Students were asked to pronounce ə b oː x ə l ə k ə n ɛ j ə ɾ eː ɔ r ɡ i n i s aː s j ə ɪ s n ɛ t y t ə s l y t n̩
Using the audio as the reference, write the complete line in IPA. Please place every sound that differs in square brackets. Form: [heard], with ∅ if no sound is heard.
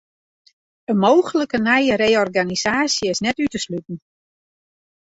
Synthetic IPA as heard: ə [m] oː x ə l ə k ə n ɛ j ə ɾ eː ɔ r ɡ [a] n i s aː s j ə ɪ s n ɛ t y t ə s l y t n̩